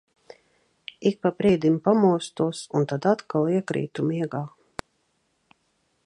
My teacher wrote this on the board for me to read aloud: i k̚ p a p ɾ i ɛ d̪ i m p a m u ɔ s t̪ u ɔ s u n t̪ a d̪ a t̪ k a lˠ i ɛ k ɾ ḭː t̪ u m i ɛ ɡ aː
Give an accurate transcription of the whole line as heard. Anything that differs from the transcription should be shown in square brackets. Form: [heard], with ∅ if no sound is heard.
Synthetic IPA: i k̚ p a p ɾ i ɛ d̪ i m p a m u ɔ s t̪ u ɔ s u n t̪ a d̪ a t̪ k a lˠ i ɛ k ɾ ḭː t̪ u m i ɛ ɡ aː